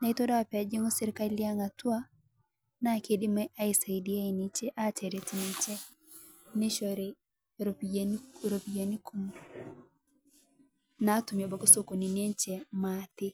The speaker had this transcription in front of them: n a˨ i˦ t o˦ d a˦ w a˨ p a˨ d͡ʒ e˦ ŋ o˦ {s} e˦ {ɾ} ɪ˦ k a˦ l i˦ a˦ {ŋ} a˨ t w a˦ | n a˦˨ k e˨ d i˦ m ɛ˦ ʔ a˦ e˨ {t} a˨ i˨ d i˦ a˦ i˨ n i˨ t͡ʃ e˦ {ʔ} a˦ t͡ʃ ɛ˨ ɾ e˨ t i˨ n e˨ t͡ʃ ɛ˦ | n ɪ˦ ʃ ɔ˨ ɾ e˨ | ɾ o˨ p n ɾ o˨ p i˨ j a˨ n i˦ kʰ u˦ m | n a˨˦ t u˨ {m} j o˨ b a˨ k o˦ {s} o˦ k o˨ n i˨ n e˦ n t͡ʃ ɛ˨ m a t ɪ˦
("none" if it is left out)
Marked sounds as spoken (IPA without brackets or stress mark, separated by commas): s, ɾ, ŋ, s, ʔ, m, s